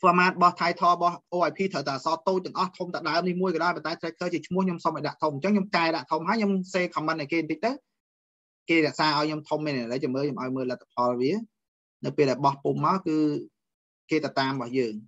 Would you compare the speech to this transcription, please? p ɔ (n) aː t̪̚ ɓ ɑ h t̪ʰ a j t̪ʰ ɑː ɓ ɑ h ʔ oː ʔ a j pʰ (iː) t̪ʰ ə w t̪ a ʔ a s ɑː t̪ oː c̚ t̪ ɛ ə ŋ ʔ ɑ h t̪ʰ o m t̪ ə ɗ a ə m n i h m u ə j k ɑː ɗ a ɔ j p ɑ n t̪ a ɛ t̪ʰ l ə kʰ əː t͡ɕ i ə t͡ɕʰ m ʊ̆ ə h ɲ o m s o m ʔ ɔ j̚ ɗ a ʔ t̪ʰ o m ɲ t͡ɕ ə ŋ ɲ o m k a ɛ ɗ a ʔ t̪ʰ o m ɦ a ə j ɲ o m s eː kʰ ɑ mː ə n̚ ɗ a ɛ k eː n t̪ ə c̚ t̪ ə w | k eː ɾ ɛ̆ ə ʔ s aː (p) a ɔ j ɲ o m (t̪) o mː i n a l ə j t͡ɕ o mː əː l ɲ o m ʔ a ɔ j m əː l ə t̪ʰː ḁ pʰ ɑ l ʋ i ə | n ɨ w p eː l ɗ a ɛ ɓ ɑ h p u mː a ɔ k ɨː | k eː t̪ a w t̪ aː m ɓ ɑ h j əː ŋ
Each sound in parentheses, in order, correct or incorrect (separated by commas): incorrect, correct, incorrect, incorrect